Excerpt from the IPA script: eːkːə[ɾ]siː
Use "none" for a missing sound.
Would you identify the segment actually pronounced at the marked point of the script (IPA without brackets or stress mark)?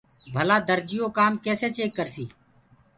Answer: ɾ